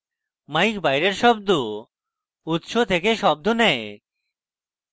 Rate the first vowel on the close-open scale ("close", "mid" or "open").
open